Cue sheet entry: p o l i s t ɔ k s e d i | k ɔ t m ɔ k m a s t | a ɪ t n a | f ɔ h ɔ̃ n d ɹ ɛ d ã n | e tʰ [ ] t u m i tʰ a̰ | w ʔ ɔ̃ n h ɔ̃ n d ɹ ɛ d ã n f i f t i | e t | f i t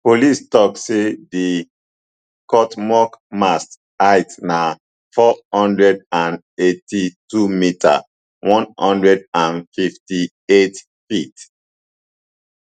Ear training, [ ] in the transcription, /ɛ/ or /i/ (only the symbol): i